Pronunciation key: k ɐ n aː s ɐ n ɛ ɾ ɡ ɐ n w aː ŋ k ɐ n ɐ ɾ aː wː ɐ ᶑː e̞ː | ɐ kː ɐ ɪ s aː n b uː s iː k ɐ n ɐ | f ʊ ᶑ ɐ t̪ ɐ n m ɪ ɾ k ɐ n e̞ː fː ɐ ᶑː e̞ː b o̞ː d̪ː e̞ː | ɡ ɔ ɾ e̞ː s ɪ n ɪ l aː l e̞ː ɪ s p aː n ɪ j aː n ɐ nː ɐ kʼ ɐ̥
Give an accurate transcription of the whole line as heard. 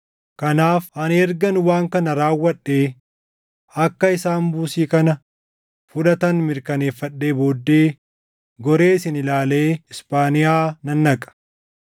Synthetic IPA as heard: k ɐ n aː f ɐ n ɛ ɾ ɡ ɐ n w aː ŋ k ɐ n ɐ ɾ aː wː ɐ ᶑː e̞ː | ɐ kː ɐ ɪ s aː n b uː s iː k ɐ n ɐ | f ʊ ᶑ ɐ t̪ ɐ n m ɪ ɾ k ɐ n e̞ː fː ɐ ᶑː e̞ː b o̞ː d̪ː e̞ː | ɡ ɔ ɾ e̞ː s ɪ n ɪ l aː l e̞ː ɪ s p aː n ɪ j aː n ɐ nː ɐ kʼ ɐ̥